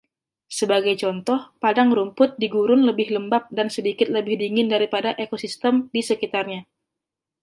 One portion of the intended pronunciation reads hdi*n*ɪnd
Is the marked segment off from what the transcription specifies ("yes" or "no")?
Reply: yes